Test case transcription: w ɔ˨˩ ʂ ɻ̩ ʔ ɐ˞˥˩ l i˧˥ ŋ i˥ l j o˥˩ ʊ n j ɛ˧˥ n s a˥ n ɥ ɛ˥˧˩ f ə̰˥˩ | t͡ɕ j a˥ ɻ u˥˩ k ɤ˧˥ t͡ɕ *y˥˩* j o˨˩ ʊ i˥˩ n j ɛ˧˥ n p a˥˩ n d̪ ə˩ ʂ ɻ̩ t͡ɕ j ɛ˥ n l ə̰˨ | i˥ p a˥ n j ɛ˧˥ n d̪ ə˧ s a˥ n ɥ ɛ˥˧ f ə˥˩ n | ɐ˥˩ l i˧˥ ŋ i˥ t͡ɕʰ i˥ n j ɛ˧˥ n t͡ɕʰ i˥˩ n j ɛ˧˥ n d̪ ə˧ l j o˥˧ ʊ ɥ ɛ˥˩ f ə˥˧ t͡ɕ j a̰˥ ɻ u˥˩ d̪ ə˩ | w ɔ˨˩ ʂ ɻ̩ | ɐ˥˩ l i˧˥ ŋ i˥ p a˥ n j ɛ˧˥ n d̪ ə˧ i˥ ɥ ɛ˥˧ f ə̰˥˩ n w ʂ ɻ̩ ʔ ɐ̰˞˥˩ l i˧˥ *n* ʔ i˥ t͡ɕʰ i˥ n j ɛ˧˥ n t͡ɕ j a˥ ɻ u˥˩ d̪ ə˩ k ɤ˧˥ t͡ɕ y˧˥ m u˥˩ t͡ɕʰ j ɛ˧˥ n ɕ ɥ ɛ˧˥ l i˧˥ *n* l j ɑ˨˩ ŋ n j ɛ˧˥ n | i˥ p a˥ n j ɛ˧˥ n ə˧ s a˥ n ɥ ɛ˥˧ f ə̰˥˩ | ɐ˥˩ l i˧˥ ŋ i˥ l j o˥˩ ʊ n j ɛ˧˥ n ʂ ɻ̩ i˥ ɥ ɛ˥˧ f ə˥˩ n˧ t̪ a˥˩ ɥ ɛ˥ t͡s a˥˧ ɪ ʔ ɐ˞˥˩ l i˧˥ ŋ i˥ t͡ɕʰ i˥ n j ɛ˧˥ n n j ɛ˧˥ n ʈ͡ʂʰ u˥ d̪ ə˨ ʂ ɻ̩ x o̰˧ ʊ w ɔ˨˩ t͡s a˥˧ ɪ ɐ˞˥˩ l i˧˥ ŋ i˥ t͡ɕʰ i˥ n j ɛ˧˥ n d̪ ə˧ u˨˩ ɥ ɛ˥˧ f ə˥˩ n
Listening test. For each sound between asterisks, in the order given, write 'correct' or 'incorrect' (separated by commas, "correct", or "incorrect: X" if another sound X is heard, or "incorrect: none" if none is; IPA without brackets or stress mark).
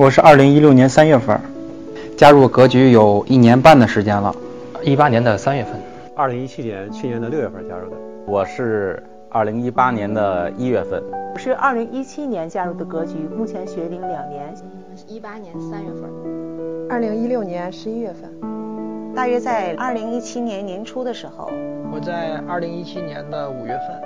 incorrect: y˧˥, incorrect: ŋ, incorrect: ŋ